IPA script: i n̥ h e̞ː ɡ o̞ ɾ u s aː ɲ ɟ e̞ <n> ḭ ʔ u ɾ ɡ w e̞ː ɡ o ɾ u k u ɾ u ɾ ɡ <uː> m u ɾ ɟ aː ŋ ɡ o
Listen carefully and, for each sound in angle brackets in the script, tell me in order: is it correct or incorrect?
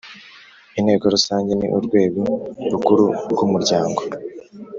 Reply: correct, incorrect: u

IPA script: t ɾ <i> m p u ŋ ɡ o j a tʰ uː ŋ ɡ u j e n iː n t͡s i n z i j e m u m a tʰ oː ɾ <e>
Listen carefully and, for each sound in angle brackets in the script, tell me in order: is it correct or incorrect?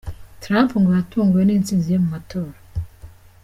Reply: incorrect: a, incorrect: a

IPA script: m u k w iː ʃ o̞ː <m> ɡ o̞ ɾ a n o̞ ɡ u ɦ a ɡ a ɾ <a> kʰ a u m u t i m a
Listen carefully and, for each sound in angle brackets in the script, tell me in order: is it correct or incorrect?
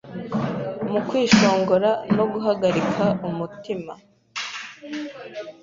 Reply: incorrect: ŋ, incorrect: i

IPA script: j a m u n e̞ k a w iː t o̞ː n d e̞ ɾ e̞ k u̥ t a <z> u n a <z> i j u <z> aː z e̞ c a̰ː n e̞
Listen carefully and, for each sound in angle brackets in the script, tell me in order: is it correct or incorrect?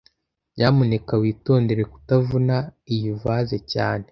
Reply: incorrect: v, incorrect: none, incorrect: v

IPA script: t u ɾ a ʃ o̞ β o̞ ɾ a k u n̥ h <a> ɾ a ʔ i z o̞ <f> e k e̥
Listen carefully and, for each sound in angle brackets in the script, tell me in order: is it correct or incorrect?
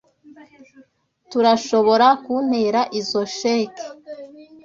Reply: incorrect: e, incorrect: ʃ

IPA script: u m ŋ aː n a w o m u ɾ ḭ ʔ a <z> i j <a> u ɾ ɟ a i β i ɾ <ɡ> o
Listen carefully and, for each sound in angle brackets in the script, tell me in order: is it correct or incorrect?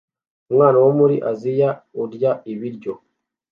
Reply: correct, correct, incorrect: ɟ

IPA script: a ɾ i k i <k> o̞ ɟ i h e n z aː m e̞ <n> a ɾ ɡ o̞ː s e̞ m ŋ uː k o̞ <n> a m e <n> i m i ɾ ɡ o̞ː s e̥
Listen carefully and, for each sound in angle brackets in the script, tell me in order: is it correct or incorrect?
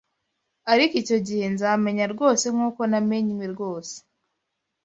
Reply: incorrect: c, incorrect: ɲ, correct, incorrect: ɲ

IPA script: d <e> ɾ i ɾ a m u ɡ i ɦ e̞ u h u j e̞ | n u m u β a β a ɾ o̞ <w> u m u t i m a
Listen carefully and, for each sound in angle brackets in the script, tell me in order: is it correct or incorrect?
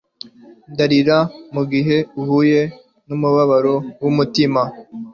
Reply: incorrect: a, correct

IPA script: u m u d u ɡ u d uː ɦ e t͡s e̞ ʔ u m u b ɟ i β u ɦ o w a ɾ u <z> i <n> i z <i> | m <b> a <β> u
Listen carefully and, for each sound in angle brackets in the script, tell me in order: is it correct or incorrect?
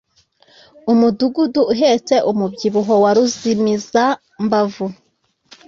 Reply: correct, incorrect: m, incorrect: a, correct, incorrect: v

